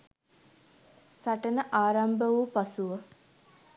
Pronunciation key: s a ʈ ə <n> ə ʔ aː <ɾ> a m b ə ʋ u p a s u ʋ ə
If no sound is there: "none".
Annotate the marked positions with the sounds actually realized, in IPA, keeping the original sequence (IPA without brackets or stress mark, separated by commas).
n, ɾ